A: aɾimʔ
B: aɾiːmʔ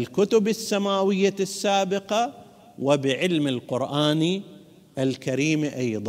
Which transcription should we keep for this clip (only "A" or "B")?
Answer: B